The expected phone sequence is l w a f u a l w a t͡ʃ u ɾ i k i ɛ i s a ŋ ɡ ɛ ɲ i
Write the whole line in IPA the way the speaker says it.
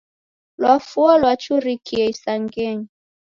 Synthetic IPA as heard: l w a f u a l w a t͡ʃ u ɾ i k i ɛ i s a ŋ ɡ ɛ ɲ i